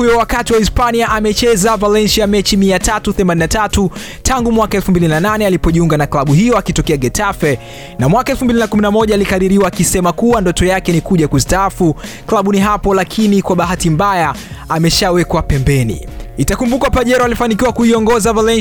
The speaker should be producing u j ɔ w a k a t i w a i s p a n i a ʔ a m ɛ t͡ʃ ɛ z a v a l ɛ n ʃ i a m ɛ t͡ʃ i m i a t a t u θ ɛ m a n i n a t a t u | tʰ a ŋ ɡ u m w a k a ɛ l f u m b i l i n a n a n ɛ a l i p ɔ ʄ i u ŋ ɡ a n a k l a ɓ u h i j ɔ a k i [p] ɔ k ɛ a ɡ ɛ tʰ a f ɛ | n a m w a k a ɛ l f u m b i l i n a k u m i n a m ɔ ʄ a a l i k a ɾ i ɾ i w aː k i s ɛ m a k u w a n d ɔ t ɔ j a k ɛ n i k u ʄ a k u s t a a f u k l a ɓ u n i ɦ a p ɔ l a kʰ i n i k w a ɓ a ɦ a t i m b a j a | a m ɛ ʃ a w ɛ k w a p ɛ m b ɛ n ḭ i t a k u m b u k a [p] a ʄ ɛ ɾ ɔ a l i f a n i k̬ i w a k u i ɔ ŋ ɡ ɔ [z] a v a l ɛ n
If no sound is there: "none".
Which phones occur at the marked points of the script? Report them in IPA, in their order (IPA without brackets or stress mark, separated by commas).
t, p, z